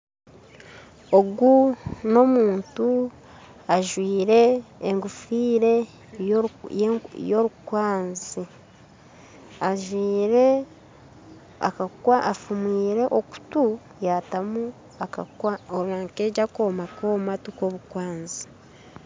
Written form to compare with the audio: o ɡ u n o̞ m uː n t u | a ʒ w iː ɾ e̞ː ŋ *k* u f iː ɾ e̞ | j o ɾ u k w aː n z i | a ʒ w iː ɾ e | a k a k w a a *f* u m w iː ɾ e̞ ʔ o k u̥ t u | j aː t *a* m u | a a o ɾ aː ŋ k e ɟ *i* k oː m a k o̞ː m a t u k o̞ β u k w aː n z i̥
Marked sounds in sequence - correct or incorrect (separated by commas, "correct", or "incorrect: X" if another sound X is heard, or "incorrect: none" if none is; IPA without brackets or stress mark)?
incorrect: ɡ, correct, correct, incorrect: a